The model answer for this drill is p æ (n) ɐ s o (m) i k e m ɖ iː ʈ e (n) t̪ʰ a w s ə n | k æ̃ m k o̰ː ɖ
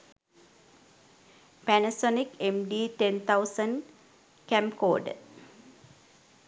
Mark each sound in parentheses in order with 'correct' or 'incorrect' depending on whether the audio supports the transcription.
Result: correct, incorrect: n, correct

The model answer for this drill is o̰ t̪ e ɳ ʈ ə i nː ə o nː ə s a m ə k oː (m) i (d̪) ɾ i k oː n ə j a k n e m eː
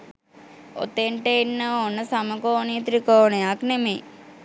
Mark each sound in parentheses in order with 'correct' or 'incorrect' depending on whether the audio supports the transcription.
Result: incorrect: n, incorrect: t̪

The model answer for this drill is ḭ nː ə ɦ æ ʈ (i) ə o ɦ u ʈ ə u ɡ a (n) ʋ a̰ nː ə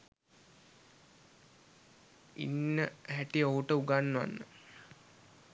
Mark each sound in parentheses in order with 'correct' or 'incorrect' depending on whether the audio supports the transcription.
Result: correct, incorrect: nː

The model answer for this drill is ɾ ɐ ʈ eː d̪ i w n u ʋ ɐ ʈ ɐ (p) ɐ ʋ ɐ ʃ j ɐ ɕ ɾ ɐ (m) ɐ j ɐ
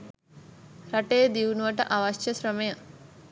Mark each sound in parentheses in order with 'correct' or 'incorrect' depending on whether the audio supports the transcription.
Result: incorrect: ʔ, correct

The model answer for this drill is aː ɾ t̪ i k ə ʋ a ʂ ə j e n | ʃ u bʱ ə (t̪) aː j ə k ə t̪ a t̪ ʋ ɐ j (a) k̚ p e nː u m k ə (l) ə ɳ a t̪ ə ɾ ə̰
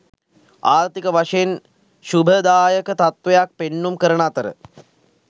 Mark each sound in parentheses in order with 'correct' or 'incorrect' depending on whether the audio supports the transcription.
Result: incorrect: d̪, correct, incorrect: ɾ

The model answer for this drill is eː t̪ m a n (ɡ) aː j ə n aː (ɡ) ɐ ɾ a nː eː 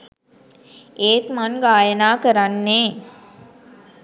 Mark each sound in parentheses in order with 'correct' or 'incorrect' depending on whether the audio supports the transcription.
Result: correct, incorrect: k

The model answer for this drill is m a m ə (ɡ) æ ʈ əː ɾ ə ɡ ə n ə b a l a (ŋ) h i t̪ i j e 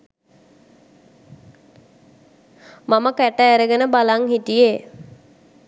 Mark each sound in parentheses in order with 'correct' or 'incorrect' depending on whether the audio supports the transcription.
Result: incorrect: k, correct

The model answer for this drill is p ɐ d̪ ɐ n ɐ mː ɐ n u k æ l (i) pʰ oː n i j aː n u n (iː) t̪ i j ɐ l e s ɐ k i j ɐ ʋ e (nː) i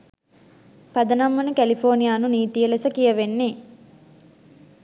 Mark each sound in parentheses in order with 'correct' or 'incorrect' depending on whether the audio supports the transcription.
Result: correct, correct, correct

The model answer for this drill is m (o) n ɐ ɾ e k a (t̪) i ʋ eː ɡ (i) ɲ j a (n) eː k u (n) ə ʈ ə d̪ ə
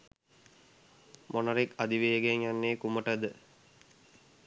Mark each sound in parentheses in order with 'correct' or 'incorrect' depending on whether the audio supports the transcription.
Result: correct, incorrect: d̪, incorrect: e, incorrect: nː, incorrect: m

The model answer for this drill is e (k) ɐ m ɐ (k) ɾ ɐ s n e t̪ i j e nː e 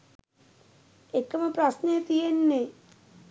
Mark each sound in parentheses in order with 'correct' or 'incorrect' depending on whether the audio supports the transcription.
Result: correct, incorrect: p

